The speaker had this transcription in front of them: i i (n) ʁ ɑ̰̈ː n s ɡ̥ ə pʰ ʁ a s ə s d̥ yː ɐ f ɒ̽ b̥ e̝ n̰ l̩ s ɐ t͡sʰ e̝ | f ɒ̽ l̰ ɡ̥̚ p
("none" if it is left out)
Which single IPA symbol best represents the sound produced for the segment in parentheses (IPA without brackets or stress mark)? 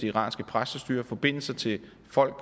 none